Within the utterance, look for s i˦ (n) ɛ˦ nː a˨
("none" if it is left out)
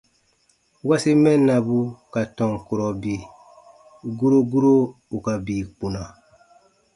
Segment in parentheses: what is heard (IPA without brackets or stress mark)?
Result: m